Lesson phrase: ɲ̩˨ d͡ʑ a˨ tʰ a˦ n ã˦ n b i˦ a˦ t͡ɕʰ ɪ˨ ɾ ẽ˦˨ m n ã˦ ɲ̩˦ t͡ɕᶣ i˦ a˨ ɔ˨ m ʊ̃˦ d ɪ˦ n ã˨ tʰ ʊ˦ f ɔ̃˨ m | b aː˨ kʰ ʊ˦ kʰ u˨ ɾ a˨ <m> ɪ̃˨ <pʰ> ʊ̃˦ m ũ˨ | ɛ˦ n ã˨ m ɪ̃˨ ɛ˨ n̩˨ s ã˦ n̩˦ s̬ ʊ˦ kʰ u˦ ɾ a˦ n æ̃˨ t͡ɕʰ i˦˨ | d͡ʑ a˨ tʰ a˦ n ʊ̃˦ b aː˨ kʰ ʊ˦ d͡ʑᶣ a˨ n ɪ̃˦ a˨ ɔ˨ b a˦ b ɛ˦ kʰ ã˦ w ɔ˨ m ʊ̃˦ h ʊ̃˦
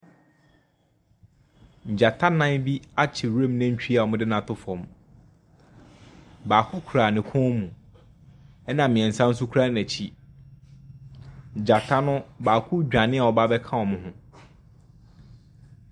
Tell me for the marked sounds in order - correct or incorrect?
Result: incorrect: n, incorrect: kʰ

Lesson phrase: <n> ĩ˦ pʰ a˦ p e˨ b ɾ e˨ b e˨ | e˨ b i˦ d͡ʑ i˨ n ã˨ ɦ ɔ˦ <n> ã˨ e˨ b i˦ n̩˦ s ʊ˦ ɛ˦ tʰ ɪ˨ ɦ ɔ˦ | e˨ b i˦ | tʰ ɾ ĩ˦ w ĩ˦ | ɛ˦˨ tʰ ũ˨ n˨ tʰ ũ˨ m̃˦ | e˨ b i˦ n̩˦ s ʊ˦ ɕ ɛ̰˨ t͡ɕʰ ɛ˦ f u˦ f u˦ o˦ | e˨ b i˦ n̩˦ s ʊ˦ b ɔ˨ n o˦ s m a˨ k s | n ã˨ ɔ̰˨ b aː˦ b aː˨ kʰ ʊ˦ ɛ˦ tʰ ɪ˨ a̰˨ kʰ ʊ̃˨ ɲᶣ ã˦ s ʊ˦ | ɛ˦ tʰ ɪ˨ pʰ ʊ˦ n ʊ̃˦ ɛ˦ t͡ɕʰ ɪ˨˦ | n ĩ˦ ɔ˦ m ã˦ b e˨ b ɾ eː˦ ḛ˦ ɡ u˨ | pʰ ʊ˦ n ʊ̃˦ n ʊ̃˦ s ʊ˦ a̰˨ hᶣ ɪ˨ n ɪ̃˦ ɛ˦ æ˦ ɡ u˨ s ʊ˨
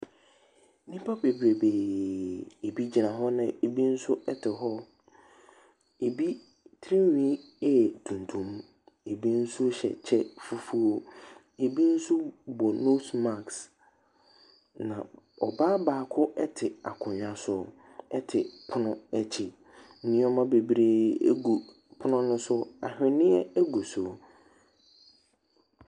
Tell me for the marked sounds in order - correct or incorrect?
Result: correct, correct

